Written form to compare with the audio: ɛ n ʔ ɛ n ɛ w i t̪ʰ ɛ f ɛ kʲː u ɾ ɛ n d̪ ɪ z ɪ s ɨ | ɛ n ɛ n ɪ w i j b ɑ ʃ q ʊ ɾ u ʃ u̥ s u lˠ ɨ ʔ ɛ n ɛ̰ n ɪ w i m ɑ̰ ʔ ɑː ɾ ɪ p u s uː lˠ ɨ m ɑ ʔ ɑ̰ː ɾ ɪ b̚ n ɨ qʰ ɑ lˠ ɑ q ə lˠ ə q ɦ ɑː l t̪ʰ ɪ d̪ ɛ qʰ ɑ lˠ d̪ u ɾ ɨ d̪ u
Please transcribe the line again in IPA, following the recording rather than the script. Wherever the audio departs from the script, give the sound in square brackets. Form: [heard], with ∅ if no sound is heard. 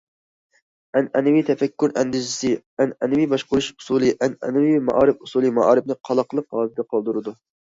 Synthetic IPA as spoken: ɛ n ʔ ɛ n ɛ w i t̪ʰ ɛ f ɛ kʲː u ɾ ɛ n d̪ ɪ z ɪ s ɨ | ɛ n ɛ n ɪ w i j b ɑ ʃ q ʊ ɾ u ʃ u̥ s u lˠ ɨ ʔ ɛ n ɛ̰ n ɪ w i m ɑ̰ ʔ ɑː ɾ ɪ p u s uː lˠ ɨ m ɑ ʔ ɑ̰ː ɾ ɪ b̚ n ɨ qʰ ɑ lˠ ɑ q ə lˠ ə q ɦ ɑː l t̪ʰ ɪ d̪ ɛ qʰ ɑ lˠ d̪ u ɾ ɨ d̪ u

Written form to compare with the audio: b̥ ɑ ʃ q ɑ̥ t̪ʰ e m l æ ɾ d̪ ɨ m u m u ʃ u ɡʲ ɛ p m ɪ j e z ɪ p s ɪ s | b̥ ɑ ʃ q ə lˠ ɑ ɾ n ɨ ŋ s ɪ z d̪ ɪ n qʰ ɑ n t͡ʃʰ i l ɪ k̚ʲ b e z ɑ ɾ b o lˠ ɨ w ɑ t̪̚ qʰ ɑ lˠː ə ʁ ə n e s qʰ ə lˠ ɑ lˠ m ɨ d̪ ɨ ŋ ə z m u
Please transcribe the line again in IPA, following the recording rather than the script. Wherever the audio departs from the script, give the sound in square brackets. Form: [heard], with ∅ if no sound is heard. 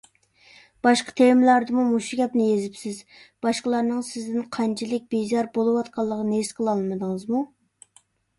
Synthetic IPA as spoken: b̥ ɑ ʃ q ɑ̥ t̪ʰ e m l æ ɾ d̪ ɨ m u m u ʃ u ɡʲ ɛ p [n] ɪ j e z ɪ p s ɪ [z] | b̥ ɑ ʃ q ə lˠ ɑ ɾ n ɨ ŋ s ɪ z d̪ ɪ n qʰ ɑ n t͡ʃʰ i l ɪ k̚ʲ b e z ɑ ɾ b o lˠ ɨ w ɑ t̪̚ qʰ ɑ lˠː ə ʁ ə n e s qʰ ə lˠ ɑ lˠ m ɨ d̪ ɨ ŋ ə z m u

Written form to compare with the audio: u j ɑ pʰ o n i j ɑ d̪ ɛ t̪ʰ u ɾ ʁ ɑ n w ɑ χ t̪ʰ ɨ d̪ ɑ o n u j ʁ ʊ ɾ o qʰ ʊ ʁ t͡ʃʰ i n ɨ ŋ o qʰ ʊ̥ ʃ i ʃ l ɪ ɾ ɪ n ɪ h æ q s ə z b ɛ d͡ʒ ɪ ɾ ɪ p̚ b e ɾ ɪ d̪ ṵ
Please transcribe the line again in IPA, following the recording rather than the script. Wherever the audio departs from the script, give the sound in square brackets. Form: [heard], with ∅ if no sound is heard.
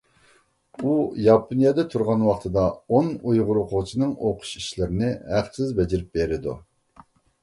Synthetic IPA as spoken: u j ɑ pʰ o n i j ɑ d̪ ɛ t̪ʰ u ɾ ʁ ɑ n w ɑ χ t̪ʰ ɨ d̪ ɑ o n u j ʁ ʊ ɾ o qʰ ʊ ʁ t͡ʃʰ i n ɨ ŋ o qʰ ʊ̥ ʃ i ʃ l ɪ ɾ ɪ n ɪ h æ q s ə z b ɛ d͡ʒ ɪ ɾ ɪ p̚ b e ɾ ɪ d̪ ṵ

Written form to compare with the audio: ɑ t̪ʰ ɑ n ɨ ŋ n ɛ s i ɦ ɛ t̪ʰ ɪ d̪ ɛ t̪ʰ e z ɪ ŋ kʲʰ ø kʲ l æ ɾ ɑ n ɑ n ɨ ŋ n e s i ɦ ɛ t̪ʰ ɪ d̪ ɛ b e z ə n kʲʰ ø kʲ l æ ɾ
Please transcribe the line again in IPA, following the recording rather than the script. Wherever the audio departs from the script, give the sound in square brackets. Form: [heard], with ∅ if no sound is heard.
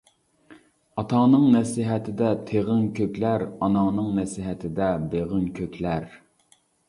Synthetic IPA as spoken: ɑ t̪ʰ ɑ n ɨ ŋ n ɛ s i ɦ ɛ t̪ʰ ɪ d̪ ɛ t̪ʰ e [ʁ] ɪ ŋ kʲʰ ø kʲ l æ ɾ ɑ n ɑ n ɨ ŋ n [ɛ] s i ɦ ɛ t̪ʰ ɪ d̪ ɛ b e [ʁ] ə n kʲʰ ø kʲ l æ ɾ

